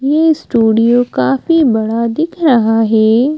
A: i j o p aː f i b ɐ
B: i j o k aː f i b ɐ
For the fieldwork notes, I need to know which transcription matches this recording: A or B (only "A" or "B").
B